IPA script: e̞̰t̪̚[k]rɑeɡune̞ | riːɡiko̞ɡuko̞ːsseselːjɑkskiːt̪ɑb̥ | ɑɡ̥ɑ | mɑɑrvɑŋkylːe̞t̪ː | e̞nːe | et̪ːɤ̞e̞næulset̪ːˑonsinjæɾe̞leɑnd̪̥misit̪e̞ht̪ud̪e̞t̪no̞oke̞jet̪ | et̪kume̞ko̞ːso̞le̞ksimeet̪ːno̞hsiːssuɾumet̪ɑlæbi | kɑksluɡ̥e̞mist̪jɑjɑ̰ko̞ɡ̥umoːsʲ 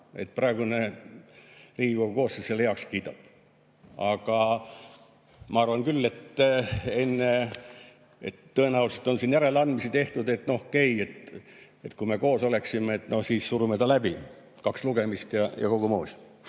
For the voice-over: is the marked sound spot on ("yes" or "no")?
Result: no